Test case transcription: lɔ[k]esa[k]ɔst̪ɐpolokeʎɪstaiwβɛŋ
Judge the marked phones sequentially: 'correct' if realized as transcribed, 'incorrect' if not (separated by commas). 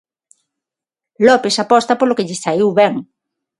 incorrect, incorrect